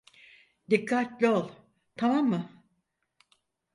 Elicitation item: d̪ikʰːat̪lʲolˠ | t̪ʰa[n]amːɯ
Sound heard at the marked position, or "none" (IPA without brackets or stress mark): m